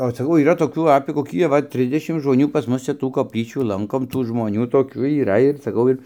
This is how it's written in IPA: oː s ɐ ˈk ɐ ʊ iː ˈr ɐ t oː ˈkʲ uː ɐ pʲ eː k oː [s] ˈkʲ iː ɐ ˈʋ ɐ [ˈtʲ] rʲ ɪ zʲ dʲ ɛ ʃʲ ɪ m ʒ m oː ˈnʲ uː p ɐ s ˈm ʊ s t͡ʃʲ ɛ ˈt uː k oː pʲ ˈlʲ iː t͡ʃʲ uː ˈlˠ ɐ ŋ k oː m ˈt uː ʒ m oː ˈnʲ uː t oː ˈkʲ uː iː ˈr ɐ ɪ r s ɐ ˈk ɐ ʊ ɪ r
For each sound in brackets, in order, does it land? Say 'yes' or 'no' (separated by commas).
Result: no, yes